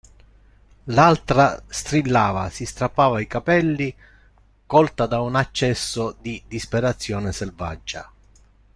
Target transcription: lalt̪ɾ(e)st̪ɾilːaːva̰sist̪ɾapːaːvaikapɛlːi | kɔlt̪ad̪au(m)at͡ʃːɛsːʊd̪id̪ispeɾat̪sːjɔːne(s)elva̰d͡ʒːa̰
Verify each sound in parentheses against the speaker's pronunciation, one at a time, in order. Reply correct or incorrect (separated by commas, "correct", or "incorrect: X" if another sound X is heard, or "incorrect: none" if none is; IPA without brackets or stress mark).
incorrect: a, incorrect: n, correct